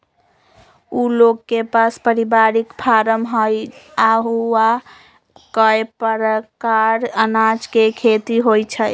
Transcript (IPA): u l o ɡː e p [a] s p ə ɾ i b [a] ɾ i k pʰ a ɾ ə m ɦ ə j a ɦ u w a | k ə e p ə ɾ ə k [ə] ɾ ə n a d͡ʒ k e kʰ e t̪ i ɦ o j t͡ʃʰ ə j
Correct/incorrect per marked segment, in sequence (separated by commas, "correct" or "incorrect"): correct, correct, incorrect